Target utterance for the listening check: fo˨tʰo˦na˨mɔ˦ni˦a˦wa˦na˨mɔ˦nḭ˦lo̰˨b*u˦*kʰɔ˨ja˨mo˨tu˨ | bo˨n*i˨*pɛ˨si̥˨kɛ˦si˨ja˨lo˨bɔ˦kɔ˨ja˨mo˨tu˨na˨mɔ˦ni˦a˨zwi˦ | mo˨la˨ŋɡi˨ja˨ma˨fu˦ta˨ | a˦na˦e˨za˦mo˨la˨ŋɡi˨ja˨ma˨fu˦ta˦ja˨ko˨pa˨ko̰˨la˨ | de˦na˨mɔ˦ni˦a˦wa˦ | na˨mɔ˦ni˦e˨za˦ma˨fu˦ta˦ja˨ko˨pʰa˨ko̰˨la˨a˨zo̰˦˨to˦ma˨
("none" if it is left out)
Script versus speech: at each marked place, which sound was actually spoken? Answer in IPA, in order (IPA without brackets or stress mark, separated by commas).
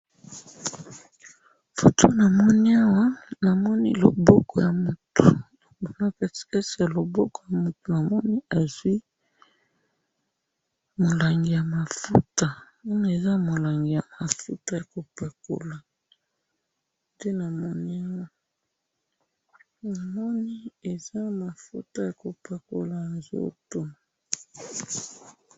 ɔ˦, a˨